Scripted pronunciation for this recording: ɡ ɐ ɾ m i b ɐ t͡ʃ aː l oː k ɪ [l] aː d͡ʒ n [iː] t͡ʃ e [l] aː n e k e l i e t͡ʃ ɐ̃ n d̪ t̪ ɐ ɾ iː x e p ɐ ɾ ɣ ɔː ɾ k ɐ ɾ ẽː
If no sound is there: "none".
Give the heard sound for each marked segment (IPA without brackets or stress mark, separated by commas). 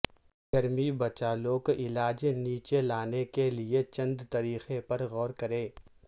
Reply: l, iː, l